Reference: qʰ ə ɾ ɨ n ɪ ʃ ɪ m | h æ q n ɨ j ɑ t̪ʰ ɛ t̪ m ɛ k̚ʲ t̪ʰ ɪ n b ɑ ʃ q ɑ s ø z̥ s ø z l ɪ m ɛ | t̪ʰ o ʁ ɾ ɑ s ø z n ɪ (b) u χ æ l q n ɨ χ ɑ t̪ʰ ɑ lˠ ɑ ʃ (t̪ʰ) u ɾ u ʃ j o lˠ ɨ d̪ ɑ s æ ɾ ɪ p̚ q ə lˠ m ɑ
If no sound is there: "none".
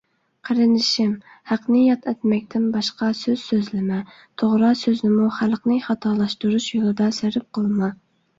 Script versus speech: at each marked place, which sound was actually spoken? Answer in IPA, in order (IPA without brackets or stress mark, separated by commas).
m, t̪